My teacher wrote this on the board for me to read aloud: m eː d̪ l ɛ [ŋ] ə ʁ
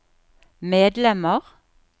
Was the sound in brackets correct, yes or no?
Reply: no